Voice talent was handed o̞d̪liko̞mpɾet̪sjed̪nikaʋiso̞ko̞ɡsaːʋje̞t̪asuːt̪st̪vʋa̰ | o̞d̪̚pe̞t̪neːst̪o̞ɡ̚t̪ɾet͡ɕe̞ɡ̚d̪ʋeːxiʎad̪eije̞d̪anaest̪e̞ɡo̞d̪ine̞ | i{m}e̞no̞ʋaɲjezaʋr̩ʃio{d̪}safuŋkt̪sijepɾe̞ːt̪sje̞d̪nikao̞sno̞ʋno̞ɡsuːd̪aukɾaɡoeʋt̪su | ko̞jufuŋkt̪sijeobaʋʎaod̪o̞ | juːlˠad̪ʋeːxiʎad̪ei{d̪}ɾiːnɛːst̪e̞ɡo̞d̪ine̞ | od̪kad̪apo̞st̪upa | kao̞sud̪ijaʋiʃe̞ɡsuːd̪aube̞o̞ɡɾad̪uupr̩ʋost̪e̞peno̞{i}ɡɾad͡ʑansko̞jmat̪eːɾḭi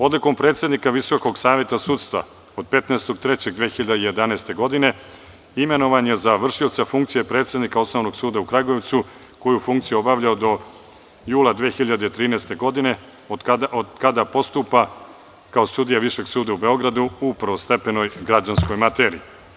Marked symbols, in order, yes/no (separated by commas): yes, no, no, no